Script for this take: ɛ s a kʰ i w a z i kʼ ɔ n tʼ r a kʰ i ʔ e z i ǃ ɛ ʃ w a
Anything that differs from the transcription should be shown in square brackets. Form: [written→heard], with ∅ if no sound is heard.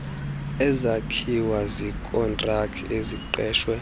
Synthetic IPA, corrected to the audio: ɛ [s→z] a kʰ i w a z i kʼ ɔ n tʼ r a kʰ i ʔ e z i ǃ [ɛ→ɛː] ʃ w [a→ɛ]